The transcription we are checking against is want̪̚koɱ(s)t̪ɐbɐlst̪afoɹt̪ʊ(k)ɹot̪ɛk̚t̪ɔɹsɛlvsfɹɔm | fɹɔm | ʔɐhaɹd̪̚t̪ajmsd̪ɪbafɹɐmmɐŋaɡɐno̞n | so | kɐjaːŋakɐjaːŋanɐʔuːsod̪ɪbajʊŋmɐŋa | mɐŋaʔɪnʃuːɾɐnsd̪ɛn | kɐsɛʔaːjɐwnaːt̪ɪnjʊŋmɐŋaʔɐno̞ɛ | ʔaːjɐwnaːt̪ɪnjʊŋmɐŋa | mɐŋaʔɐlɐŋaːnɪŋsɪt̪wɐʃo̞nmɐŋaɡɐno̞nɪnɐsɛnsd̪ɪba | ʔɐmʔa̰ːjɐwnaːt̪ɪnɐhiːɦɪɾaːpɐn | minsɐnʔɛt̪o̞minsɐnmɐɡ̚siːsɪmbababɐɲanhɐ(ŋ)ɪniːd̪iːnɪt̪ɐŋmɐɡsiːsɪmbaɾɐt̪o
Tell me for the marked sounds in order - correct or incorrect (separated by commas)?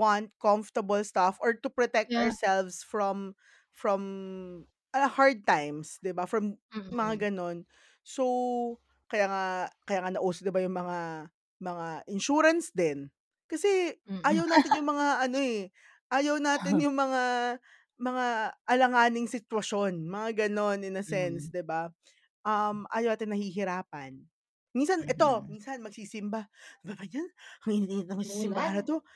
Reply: incorrect, incorrect, correct